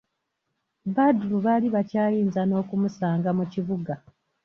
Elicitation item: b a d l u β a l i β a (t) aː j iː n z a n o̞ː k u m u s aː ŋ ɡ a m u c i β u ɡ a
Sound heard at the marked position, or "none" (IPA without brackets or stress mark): c